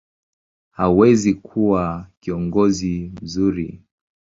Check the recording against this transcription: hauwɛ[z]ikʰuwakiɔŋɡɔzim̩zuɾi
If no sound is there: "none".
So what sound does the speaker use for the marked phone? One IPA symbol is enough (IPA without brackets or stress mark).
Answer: z